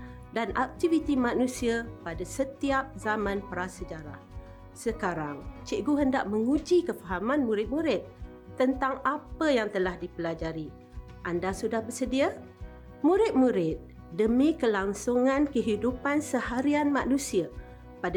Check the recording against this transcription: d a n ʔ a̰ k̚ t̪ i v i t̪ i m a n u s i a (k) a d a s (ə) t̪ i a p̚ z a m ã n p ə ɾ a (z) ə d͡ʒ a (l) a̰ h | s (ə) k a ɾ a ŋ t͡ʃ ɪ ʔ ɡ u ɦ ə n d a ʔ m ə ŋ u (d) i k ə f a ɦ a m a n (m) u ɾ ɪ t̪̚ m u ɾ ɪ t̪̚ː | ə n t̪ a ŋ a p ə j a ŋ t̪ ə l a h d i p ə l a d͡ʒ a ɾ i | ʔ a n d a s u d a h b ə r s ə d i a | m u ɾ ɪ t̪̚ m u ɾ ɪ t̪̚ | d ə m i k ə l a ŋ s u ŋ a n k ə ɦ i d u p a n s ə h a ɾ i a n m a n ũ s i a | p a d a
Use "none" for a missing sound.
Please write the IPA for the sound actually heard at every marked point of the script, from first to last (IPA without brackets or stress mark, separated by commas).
p, ə, s, ɾ, ə, d͡ʒ, m